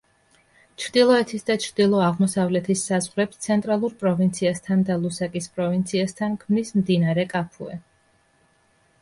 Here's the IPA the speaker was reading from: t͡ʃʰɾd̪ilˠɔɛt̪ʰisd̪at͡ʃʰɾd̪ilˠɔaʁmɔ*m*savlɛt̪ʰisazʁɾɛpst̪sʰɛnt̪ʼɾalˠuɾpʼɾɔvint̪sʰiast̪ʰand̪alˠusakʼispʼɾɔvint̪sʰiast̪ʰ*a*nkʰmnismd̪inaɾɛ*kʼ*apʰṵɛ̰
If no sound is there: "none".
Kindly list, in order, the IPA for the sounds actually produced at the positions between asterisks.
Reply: none, a, kʼ

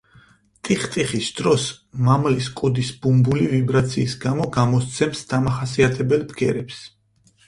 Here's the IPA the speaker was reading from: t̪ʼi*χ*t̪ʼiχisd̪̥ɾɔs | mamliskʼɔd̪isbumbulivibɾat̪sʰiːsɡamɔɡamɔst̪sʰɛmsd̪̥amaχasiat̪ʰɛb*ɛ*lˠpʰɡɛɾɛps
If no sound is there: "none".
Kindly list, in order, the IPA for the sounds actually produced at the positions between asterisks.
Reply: χ, ɛ

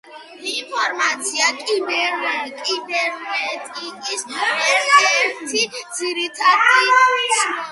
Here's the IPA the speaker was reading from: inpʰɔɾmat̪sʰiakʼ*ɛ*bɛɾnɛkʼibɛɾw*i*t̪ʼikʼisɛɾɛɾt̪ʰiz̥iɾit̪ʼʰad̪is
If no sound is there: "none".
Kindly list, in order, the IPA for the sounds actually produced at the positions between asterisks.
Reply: i, ɛ

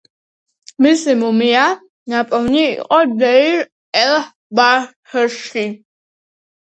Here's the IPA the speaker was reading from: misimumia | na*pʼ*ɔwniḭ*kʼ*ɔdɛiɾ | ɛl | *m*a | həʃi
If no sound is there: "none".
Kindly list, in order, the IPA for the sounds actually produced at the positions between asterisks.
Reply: pʼ, qʼ, b

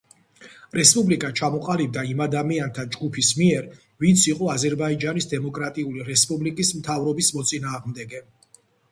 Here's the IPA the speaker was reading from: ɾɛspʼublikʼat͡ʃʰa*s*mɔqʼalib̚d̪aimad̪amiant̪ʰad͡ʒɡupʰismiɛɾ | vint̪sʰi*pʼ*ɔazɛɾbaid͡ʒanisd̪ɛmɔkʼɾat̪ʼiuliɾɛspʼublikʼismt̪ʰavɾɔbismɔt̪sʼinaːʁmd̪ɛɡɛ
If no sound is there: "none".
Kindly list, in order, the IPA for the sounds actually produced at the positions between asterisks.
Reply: none, qʼ

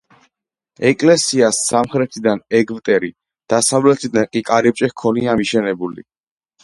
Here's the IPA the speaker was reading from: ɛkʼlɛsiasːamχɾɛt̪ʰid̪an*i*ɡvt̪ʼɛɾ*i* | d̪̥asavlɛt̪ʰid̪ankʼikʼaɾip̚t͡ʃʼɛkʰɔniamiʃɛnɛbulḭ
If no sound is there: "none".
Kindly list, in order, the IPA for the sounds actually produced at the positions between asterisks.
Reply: ɛ, i

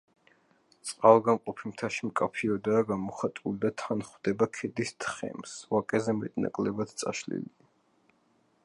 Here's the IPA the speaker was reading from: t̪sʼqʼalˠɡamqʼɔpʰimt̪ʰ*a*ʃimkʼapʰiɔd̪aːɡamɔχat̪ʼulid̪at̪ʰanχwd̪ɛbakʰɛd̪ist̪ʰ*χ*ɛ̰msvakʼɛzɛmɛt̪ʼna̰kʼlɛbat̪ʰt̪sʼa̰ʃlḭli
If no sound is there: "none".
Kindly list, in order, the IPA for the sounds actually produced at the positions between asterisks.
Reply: a, χ

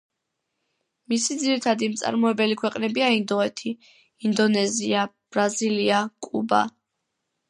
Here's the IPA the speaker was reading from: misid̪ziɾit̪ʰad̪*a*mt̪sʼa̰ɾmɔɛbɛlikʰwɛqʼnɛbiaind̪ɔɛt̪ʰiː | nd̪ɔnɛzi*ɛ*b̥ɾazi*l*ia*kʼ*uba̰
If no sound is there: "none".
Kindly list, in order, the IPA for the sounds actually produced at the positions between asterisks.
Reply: i, a, l, kʼ

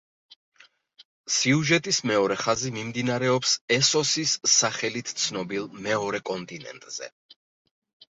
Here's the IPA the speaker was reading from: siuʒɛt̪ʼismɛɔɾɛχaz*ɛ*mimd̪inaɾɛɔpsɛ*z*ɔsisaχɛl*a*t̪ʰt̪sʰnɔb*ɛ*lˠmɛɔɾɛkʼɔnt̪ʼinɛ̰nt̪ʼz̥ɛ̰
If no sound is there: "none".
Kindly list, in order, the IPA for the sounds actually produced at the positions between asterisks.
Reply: i, s, i, i

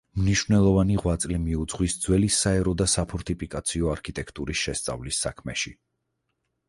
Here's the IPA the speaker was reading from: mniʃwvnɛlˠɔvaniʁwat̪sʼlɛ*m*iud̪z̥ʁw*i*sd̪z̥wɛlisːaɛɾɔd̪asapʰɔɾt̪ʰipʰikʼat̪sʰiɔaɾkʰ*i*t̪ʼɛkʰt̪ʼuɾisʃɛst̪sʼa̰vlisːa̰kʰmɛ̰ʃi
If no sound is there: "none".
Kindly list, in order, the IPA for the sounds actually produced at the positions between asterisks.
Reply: m, i, i

